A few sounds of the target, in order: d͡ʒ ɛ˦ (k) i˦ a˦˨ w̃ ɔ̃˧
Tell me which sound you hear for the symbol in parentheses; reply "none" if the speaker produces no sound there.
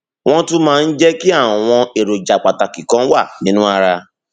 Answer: k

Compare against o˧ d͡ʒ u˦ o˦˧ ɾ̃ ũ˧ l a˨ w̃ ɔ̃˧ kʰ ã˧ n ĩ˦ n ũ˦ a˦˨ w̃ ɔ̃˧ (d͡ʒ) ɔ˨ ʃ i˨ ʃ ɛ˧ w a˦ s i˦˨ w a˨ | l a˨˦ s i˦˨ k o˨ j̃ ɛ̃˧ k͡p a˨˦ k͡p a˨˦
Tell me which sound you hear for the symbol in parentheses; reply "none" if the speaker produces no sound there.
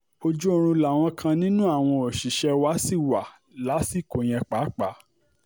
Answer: none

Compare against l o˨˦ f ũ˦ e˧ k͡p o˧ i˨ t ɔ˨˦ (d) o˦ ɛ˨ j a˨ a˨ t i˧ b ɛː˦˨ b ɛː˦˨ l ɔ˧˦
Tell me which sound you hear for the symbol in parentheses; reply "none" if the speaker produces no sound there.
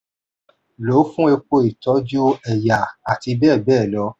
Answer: d͡ʒ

